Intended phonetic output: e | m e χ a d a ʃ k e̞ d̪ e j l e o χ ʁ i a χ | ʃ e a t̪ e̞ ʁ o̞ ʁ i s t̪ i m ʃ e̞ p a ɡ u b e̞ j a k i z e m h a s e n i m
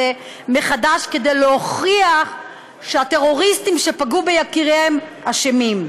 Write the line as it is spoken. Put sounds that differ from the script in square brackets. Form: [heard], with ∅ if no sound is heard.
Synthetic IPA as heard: e | m e χ a d a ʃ k e̞ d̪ e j l e o χ ʁ i a χ | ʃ e a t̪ e̞ ʁ o̞ ʁ i s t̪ i m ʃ e̞ p a ɡ u b e̞ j a k i [ʁ] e m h a [ʃ] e [m] i m